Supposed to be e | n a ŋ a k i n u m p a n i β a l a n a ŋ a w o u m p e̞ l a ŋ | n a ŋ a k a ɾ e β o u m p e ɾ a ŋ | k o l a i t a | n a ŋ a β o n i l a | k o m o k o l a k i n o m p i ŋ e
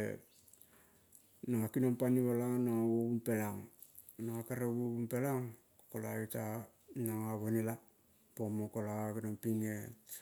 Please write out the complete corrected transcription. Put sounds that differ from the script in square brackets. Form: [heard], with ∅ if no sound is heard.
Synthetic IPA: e | n a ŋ a k i n [o] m p a n i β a l a n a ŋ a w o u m p e̞ l a ŋ | n a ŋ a k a ɾ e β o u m p e [l] a ŋ | k o l a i t a | n a ŋ a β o n i l a | [p] o m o k o l a k i n o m p i ŋ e